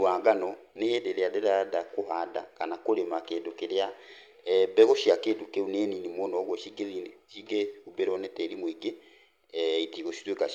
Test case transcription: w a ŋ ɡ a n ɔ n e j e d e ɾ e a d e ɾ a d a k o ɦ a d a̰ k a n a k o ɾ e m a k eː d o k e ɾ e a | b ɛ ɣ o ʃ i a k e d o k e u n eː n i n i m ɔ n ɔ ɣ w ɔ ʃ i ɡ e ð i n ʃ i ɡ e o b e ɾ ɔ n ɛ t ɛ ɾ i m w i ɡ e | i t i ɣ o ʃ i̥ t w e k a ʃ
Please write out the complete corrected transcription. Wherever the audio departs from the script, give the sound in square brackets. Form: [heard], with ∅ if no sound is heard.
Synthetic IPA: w a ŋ ɡ a n ɔ n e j e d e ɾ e a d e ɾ a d a k o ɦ a d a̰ k a n a k o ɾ e m a k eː d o k e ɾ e a | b ɛ ɣ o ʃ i a k e d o k e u n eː n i n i m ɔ n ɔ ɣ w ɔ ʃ i ɡ e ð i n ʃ i ɡ e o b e ɾ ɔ n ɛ t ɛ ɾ i m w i ɡ e | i t i ɣ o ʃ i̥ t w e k a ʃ